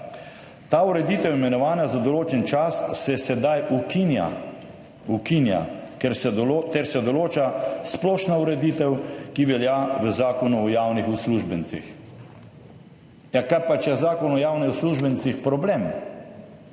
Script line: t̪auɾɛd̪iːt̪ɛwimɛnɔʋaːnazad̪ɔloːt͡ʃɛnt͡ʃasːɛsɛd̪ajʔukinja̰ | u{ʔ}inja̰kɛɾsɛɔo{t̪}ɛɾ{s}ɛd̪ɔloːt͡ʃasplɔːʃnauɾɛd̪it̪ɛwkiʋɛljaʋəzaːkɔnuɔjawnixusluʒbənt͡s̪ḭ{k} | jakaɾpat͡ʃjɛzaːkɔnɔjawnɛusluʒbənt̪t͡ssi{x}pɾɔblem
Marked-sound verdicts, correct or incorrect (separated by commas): incorrect, correct, correct, incorrect, correct